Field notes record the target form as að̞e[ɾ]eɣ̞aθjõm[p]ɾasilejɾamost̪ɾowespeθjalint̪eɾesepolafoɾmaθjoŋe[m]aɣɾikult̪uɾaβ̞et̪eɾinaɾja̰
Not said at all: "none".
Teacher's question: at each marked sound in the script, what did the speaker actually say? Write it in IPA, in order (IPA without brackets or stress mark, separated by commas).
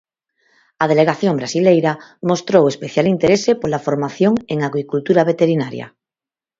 l, b, ŋ